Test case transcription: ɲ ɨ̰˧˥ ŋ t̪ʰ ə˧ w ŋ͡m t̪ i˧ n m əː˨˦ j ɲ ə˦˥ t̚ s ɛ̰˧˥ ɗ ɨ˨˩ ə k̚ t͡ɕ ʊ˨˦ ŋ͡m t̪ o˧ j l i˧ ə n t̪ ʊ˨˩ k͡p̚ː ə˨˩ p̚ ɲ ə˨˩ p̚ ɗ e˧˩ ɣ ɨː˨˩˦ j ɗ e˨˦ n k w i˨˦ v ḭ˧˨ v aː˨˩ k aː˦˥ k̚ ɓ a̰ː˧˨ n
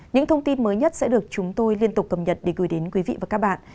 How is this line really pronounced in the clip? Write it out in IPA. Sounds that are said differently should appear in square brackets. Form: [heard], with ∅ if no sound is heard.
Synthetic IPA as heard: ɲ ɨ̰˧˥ ŋ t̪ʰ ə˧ w ŋ͡m t̪ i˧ n m əː˨˦ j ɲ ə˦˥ t̚ s ɛ̰˧˥ ɗ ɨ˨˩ ə k̚ t͡ɕ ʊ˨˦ ŋ͡m t̪ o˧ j l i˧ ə n t̪ ʊ˨˩ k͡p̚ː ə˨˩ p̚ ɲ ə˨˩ [t̚] ɗ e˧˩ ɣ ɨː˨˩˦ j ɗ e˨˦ n k w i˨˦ v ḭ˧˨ v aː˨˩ k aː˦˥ k̚ ɓ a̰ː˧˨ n